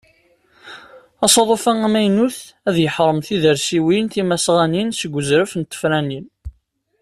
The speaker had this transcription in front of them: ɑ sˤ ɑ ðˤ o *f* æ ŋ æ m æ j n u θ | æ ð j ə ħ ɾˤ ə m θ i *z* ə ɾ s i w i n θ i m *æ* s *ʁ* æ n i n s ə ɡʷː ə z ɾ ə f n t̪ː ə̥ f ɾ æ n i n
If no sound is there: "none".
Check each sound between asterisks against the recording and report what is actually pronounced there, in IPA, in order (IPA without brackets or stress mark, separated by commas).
f, ð, æ, ʁ